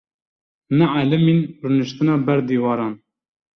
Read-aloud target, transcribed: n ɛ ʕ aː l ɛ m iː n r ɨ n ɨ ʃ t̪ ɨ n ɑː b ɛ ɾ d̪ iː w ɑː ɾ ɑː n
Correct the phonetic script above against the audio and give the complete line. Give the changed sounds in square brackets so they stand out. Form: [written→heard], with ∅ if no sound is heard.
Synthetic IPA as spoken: n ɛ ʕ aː l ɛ m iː n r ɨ n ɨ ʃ t̪ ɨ n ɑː b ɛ ɾ d̪ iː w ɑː ɾ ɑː n